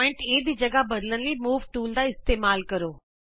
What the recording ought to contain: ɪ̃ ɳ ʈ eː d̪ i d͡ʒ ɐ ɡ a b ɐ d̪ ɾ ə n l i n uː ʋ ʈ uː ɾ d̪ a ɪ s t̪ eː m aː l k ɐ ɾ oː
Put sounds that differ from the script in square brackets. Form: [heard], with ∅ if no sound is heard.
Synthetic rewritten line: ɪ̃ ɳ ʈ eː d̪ i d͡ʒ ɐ ɡ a b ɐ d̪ [l] ə n l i [m] uː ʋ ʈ uː [l] d̪ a ɪ s t̪ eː m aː l k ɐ ɾ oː